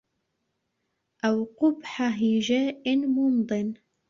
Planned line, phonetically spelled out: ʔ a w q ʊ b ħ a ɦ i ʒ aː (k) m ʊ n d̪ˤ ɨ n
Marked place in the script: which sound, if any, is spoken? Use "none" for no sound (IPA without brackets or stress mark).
ʔ